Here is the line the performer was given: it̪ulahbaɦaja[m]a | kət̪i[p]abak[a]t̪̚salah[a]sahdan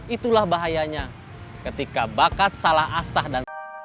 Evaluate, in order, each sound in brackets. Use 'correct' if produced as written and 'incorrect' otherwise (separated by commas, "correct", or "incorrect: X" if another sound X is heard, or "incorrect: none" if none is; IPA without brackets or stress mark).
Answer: incorrect: ɲ, incorrect: k, correct, correct